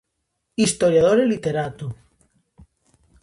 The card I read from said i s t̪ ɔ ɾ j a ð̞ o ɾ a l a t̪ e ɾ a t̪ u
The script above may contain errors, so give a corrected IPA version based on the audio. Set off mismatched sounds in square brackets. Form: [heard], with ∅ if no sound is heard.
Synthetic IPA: i s t̪ [o] ɾ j a ð̞ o ɾ [e] l [i] t̪ e ɾ a t̪ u